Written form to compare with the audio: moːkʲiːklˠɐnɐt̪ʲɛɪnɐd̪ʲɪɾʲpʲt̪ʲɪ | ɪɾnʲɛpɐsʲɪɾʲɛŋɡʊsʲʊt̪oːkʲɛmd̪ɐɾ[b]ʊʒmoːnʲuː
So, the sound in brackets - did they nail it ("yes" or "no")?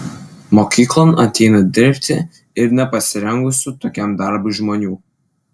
yes